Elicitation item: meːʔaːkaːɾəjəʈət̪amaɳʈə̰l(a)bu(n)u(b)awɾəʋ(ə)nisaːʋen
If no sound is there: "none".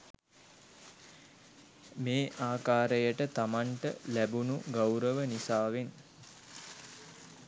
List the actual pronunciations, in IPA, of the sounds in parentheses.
æ, n, ɡ, ə

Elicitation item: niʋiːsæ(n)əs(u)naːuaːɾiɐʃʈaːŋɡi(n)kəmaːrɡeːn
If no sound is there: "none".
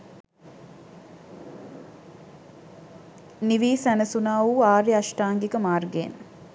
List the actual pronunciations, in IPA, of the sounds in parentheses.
n, u, none

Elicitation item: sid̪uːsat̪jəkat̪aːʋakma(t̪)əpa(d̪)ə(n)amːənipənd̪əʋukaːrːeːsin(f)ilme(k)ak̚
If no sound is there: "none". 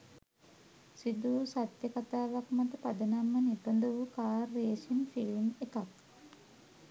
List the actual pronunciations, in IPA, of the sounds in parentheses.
t̪, d̪, n, f, k

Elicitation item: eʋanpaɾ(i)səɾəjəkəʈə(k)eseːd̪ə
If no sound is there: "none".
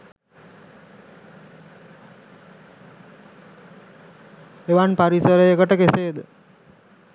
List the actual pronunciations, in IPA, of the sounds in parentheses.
i, k

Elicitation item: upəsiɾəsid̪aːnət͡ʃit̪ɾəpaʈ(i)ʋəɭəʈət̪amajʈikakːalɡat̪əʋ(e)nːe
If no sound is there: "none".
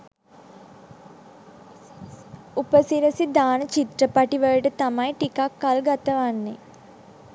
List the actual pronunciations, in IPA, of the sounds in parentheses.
i, a

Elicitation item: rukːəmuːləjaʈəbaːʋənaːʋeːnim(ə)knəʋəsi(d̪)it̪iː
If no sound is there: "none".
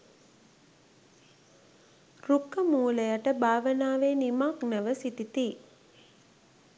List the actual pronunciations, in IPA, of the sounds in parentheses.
a, t̪

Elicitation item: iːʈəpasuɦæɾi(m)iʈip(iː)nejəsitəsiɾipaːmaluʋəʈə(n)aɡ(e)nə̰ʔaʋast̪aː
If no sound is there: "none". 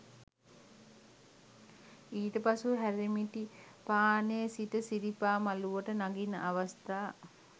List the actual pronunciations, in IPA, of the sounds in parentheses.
m, aː, n, i

